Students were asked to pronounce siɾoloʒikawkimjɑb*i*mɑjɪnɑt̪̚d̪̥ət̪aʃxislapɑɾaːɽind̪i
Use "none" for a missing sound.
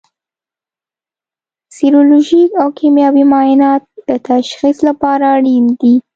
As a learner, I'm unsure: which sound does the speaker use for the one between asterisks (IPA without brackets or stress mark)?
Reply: i